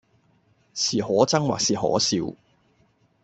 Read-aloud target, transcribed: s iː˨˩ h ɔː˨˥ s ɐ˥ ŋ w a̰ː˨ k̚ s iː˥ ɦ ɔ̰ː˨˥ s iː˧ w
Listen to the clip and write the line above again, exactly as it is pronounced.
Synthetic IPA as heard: s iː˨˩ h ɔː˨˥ t͡s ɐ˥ ŋ w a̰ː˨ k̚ s iː˨˩ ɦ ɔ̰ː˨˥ s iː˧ w